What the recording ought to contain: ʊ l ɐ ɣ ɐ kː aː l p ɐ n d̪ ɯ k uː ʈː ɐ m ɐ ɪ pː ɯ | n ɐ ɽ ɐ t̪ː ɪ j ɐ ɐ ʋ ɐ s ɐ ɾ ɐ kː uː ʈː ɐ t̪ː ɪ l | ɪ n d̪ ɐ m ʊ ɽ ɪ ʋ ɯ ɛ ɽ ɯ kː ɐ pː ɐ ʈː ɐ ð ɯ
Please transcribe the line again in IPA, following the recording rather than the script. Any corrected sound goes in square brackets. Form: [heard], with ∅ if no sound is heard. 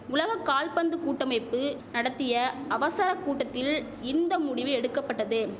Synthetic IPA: ʊ l ɐ ɣ ɐ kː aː l p ɐ n d̪ ɯ k uː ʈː ɐ m ɐ ɪ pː ɯ | n ɐ ɽ ɐ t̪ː ɪ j ɐ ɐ ʋ ɐ s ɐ ɾ ɐ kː uː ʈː ɐ t̪ː ɪ l | ɪ n d̪ ɐ m ʊ ɽ ɪ ʋ ɯ ɛ ɽ ɯ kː ɐ pː ɐ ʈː ɐ ð ɯ

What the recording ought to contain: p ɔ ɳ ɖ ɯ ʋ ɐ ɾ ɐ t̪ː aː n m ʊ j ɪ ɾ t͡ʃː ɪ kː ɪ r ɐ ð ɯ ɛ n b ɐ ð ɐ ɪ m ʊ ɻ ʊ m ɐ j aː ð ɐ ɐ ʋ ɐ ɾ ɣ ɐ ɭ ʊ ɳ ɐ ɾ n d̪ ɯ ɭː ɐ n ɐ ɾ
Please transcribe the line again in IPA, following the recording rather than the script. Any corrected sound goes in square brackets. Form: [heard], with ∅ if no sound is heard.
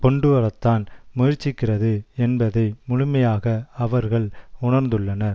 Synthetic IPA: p ɔ ɳ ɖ ɯ ʋ ɐ ɾ ɐ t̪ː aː n m ʊ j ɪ ɾ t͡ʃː ɪ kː ɪ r ɐ ð ɯ ɛ n b ɐ ð ɐ ɪ m ʊ ɻ ʊ m ɐ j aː [ɣ] ɐ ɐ ʋ ɐ ɾ ɣ ɐ ɭ ʊ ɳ ɐ ɾ n d̪ ɯ ɭː ɐ n ɐ ɾ

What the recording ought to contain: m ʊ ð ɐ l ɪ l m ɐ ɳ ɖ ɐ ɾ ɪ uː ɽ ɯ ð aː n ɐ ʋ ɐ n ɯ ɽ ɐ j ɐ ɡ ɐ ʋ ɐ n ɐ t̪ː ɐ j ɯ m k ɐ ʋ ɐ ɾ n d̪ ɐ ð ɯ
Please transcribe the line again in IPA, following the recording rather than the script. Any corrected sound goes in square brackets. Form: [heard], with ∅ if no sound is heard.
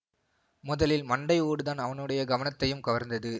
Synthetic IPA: m ʊ ð ɐ l ɪ l m ɐ ɳ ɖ ɐ [∅] ɪ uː ɽ ɯ ð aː n ɐ ʋ ɐ n ɯ ɽ ɐ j ɐ ɡ ɐ ʋ ɐ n ɐ t̪ː ɐ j ɯ m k ɐ ʋ ɐ ɾ n d̪ ɐ ð ɯ

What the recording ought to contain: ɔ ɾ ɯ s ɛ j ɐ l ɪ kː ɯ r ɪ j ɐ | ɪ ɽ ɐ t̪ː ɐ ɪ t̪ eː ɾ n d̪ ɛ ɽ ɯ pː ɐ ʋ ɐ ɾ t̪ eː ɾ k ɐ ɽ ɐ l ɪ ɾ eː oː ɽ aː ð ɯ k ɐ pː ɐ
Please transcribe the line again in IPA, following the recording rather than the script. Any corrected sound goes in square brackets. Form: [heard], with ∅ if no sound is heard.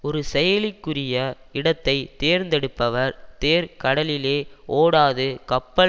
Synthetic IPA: ɔ ɾ ɯ s ɛ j ɐ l ɪ kː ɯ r ɪ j ɐ | ɪ ɽ ɐ t̪ː ɐ ɪ t̪ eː ɾ n d̪ ɛ ɽ ɯ pː ɐ ʋ ɐ ɾ t̪ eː ɾ k ɐ ɽ ɐ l ɪ [l] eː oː ɽ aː ð ɯ k ɐ pː ɐ

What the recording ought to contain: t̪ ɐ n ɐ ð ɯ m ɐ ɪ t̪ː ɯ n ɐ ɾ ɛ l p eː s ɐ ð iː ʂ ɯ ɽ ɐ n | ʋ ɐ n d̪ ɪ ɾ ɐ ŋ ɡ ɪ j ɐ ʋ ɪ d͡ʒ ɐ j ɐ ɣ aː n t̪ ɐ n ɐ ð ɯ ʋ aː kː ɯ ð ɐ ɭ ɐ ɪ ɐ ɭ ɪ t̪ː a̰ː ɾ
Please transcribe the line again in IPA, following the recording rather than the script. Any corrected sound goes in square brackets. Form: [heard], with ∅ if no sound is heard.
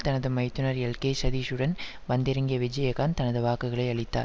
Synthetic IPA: t̪ ɐ n ɐ ð ɯ m ɐ ɪ t̪ː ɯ n ɐ ɾ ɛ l [k] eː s ɐ ð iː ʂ ɯ ɽ ɐ n | ʋ ɐ n d̪ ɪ ɾ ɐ ŋ ɡ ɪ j ɐ ʋ ɪ d͡ʒ ɐ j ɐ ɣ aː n t̪ ɐ n ɐ ð ɯ ʋ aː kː ɯ [ɣ] ɐ ɭ ɐ ɪ ɐ ɭ ɪ t̪ː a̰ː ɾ

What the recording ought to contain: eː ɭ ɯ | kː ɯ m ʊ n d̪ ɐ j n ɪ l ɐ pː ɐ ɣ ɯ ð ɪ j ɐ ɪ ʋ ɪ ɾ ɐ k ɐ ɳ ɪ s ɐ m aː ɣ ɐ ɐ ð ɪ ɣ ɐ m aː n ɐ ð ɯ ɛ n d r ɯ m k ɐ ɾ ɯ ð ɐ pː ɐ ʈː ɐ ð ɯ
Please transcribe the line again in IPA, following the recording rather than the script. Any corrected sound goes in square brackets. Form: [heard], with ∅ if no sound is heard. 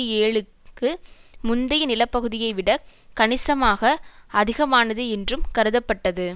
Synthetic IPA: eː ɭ ɯ | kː ɯ m ʊ n d̪ ɐ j n ɪ l ɐ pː ɐ ɣ ɯ ð ɪ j ɐ ɪ ʋ ɪ [ɽ] ɐ k ɐ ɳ ɪ s ɐ m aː ɣ ɐ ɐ ð ɪ ɣ ɐ m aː n ɐ ð ɯ ɛ n d r ɯ m k ɐ ɾ ɯ ð ɐ pː ɐ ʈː ɐ ð ɯ

